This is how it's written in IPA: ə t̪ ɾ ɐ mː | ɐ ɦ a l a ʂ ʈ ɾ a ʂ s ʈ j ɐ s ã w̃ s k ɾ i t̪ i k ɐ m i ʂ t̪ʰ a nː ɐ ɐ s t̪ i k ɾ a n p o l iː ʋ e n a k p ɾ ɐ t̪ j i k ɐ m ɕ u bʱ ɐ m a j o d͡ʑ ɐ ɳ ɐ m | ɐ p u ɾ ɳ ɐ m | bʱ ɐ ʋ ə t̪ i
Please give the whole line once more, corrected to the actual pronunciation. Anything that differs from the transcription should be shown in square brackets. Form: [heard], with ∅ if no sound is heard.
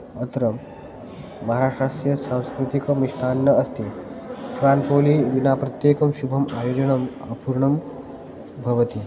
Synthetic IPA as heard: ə t̪ ɾ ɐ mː | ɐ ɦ a [ɾ] a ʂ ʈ ɾ a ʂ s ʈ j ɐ s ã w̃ s k ɾ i t̪ i k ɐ m i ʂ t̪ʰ a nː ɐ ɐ s t̪ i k ɾ a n p o l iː ʋ [i] n a [∅] p ɾ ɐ t̪ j [e] k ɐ m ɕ u bʱ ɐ m a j o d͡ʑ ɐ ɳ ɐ m | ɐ p u ɾ ɳ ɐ m | bʱ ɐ ʋ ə t̪ i